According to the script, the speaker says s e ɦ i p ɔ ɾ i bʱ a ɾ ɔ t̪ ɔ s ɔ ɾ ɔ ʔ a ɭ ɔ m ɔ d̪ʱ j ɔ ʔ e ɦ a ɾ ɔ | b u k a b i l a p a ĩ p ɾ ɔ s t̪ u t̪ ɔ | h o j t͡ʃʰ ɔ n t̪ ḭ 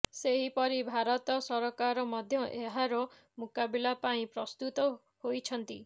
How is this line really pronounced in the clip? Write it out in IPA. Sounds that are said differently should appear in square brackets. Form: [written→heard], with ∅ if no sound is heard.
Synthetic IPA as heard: s e ɦ i p ɔ ɾ i bʱ a ɾ ɔ t̪ ɔ s ɔ ɾ ɔ [ʔ→k] a [ɭ→ɾ] ɔ m ɔ d̪ʱ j ɔ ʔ e ɦ a ɾ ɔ | [b→m] u k a b i l a p a ĩ p ɾ ɔ s t̪ u t̪ ɔ | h o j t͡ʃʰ ɔ n t̪ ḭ